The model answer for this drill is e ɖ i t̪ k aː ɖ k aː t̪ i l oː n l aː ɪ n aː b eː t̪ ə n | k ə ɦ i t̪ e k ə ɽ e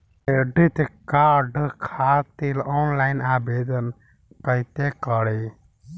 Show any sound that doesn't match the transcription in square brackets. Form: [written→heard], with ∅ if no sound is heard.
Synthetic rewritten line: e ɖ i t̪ k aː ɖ [k→kʰ] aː t̪ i l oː n l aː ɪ n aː b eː [t̪→d̪] ə n | k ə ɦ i t̪ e k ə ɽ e

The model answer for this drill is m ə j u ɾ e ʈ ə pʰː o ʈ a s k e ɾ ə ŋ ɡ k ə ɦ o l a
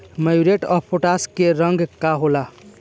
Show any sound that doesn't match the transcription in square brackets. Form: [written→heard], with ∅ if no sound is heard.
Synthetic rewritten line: m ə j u ɾ e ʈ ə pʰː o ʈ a s k e ɾ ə ŋ ɡ k [ə→a] ɦ o l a

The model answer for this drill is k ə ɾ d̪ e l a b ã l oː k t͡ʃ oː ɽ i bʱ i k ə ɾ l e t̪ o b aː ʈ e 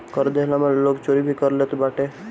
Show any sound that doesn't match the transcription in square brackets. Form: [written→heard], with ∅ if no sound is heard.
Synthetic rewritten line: k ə ɾ d̪ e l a [b→m] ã l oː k t͡ʃ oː [ɽ→ɾ] i bʱ i k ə ɾ l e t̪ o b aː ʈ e

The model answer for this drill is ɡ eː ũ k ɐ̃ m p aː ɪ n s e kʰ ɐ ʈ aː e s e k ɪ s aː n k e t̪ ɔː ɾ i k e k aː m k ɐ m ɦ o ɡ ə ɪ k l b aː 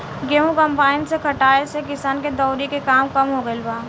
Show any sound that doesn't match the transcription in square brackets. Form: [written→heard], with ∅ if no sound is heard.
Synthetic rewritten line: ɡ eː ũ k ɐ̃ m p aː ɪ n s e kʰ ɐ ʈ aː e s e k ɪ s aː n k e [t̪→d̪] ɔː ɾ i k e k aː m k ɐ m ɦ o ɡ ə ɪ [k→∅] l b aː

